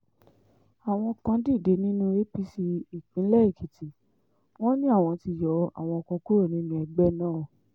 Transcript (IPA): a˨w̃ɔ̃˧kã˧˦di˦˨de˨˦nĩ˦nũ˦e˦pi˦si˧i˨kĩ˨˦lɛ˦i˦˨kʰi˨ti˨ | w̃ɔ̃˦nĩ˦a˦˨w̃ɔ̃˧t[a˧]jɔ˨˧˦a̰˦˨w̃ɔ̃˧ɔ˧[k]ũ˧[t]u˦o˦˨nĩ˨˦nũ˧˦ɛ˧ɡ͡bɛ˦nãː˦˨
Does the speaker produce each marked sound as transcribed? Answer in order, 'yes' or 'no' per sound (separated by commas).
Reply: no, yes, no